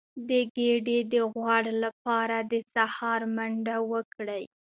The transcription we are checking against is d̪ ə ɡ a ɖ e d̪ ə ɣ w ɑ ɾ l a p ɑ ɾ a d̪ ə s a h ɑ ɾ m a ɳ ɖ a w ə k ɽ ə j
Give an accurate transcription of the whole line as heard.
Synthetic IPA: d̪ ə ɡ e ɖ e d̪ ə ɣ w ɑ ɽ l a p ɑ ɾ a d̪ ə s a h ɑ ɾ m a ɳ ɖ a w ə k ɽ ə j